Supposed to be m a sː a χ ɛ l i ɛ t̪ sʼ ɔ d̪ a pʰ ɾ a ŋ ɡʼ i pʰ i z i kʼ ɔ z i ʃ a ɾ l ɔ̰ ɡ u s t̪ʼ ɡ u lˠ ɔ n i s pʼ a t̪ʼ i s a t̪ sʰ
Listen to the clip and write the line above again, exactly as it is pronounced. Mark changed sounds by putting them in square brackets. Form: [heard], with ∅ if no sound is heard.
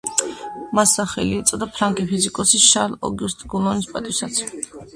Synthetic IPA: m a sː a χ ɛ l i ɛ t̪ sʼ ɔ d̪ a pʰ ɾ a ŋ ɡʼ i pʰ i z i kʼ ɔ [s] i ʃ a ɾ l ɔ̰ ɡ u s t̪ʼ ɡ u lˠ ɔ n i s pʼ a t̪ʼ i s a t̪ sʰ